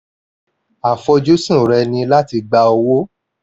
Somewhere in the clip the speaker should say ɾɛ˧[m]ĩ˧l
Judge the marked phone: incorrect: n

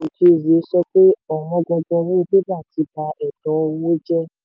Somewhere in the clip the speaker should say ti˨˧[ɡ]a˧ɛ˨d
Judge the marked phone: incorrect: b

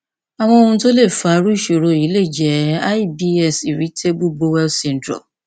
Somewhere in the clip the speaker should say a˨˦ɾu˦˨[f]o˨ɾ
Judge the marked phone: incorrect: ʃ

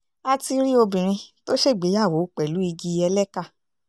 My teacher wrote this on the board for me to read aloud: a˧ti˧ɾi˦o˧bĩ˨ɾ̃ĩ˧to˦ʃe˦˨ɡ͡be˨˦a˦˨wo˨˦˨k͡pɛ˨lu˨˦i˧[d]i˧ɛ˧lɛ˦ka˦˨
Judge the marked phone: incorrect: ɡ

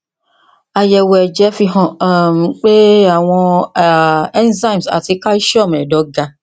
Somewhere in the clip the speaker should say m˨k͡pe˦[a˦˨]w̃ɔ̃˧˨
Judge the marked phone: incorrect: a˨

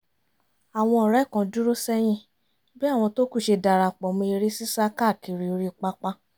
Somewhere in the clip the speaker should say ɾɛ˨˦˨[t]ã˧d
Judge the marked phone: incorrect: k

